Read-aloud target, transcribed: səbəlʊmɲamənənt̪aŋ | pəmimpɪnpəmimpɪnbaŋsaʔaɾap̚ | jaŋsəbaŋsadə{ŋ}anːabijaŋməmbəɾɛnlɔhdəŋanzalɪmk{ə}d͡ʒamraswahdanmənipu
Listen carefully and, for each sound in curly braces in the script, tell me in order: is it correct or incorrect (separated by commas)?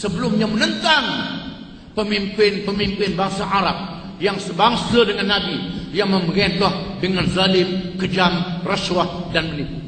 correct, correct